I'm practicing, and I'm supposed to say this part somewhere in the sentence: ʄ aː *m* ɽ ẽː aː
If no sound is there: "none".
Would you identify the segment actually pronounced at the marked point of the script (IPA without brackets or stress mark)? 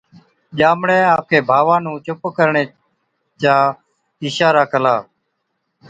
m